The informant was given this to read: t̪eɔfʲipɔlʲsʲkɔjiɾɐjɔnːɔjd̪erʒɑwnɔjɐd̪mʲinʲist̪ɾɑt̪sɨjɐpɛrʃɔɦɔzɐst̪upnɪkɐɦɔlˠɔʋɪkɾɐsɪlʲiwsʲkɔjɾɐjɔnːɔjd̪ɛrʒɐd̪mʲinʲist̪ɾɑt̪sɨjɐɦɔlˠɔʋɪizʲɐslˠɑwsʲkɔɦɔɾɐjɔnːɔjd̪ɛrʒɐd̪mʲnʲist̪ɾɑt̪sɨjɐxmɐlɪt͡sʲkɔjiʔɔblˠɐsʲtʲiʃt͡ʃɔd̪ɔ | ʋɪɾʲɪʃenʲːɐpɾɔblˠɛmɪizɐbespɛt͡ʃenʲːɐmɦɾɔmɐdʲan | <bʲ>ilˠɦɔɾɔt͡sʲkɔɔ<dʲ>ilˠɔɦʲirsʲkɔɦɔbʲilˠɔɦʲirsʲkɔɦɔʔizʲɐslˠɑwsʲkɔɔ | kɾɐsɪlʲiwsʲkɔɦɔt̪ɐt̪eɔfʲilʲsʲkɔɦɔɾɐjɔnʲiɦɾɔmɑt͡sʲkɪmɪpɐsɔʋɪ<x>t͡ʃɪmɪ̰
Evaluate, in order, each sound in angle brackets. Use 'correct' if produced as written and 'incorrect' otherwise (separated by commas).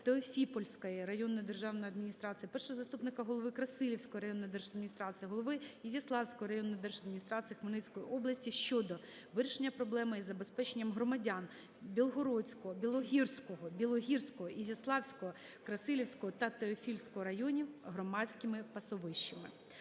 correct, incorrect, incorrect